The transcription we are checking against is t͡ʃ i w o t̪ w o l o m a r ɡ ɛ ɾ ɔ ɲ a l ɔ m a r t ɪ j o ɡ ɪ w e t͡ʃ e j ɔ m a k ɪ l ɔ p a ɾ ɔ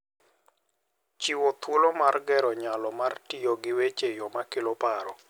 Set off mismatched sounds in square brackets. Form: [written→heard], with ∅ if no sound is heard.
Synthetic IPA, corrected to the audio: t͡ʃ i w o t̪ w o l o m a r ɡ ɛ ɾ ɔ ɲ a l ɔ m a r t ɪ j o ɡ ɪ w e t͡ʃ e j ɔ m a k ɪ l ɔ p a ɾ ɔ